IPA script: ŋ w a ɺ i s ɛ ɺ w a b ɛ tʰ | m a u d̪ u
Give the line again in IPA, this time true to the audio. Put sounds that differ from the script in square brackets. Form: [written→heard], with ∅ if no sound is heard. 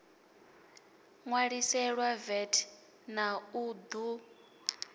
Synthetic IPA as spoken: ŋ w a ɺ i s ɛ ɺ w a [b→v] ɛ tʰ | [m→n] a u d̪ u